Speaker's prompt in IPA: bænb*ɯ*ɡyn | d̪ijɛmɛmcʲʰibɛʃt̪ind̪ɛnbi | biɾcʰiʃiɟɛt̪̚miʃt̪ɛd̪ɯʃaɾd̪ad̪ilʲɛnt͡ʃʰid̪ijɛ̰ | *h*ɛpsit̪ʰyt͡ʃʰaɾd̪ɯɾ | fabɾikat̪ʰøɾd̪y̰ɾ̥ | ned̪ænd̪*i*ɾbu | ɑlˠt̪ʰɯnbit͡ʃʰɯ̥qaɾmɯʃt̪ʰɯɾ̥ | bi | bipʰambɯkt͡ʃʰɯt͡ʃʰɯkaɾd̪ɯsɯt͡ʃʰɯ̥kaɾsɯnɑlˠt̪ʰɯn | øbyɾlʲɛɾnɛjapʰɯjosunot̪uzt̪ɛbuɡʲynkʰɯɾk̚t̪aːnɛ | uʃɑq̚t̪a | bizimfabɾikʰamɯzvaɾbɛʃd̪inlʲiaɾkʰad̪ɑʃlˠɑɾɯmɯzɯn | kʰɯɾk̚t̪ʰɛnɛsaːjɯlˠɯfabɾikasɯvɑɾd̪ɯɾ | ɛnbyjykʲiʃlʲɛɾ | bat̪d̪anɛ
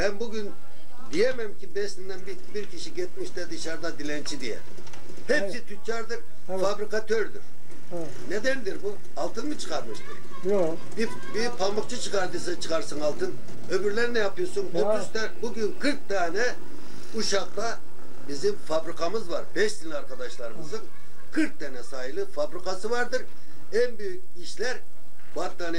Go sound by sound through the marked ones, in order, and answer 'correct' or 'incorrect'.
incorrect: u, correct, correct

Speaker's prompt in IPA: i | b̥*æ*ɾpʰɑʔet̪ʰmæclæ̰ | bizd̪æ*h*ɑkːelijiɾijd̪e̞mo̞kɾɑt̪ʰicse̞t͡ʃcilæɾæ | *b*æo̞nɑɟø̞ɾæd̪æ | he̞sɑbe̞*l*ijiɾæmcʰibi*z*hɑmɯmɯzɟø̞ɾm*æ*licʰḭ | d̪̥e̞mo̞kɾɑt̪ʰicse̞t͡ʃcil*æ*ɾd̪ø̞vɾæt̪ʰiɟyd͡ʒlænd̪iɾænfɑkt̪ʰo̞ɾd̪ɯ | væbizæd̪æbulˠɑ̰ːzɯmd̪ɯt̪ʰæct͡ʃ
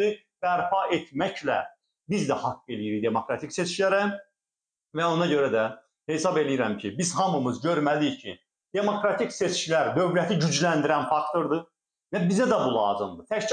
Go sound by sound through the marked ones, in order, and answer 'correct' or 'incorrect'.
correct, correct, incorrect: v, correct, correct, correct, correct

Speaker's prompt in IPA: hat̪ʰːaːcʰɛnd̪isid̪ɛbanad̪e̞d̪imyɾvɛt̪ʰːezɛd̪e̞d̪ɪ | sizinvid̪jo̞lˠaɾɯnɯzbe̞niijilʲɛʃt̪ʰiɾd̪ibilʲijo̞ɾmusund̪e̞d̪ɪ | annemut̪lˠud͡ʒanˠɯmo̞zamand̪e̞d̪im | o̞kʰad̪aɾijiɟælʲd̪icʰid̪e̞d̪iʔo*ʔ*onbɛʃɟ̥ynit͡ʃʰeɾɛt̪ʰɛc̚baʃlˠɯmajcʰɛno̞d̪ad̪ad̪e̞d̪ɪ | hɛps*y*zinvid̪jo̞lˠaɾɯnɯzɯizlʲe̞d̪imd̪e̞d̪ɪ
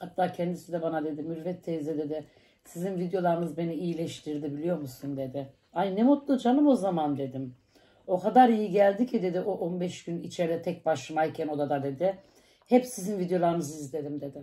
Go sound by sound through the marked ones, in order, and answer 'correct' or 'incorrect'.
correct, incorrect: i

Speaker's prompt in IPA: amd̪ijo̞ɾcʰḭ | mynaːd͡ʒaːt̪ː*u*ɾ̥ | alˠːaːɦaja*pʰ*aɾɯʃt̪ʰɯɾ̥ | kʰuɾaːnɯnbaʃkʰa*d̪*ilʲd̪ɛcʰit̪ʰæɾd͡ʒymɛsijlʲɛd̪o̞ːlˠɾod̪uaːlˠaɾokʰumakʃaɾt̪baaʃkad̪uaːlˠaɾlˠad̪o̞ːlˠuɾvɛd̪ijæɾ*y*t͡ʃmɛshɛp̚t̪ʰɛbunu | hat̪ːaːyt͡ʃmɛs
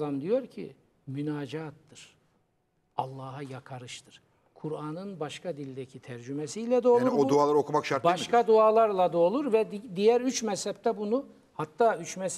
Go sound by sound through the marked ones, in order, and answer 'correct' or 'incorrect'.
incorrect: ɯ, incorrect: kʰ, correct, correct

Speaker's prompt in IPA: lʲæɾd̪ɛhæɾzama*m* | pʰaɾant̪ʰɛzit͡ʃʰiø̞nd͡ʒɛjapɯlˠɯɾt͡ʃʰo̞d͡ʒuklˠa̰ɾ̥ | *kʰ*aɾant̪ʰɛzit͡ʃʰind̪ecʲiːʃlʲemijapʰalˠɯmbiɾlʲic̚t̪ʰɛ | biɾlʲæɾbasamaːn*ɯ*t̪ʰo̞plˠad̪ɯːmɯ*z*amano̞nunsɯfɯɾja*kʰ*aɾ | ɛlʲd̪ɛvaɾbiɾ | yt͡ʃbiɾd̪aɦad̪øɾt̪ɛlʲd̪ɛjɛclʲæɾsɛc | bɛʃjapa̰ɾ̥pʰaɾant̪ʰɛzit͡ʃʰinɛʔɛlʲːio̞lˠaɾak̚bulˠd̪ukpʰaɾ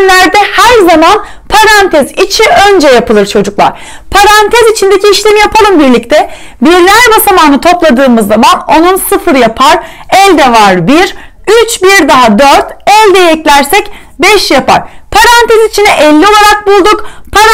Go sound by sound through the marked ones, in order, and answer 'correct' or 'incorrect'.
incorrect: n, incorrect: pʰ, correct, incorrect: zː, incorrect: pʰ

